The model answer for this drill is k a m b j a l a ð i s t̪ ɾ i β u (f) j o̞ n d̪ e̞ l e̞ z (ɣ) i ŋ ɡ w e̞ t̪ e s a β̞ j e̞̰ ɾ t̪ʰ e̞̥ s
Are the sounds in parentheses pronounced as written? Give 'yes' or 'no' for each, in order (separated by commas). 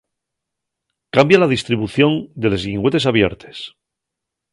no, yes